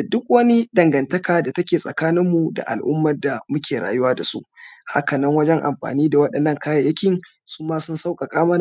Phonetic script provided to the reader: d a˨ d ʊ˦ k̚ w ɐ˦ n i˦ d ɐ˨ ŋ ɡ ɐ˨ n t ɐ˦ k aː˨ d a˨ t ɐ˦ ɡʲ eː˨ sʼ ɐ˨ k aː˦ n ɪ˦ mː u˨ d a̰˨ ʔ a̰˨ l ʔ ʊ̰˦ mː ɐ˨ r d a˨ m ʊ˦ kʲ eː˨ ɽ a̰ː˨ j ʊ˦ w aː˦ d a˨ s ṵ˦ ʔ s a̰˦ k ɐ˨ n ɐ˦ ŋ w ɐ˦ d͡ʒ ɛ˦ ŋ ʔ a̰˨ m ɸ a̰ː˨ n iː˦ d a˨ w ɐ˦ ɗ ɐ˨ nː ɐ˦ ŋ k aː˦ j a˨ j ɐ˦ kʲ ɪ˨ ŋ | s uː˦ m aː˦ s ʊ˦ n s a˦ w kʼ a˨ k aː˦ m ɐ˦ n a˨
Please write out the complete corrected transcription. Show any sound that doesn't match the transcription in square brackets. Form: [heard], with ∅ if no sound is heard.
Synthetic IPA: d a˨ d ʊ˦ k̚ w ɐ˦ n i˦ d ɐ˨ ŋ ɡ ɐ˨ n t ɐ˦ k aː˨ d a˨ t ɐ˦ [kʲ] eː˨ sʼ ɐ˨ k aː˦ n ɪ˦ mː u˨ d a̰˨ ʔ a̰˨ l ʔ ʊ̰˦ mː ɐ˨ r d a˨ m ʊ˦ kʲ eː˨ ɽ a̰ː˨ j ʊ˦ w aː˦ d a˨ s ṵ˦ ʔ [h] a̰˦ k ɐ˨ n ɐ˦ ŋ w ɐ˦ d͡ʒ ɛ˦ ŋ ʔ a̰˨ m ɸ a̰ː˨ n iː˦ d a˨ w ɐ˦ ɗ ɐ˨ nː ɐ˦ ŋ k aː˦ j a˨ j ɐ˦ kʲ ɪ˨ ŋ | s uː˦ m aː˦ s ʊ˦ n s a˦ w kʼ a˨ [kʼ] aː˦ m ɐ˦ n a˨